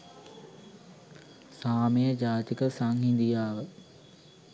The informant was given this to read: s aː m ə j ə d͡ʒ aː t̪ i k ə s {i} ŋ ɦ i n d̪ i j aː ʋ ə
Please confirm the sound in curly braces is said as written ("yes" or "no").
no